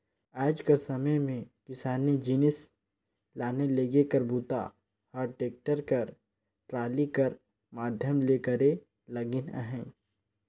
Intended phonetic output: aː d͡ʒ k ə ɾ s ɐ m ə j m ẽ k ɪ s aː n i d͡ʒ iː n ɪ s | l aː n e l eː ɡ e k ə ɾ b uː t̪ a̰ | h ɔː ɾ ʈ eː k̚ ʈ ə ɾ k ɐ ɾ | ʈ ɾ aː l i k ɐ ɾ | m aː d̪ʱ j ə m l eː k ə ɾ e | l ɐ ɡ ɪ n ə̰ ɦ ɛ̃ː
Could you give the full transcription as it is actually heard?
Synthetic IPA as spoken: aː d͡ʒ k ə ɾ s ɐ m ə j m ẽ k ɪ s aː n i d͡ʒ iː n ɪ s | l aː n e l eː ɡ e k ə ɾ b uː t̪ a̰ | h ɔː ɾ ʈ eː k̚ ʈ ə ɾ k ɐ ɾ | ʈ ɾ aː l i k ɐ ɾ | m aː d̪ʱ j ə m l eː k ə ɾ e | l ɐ ɡ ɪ n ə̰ ɦ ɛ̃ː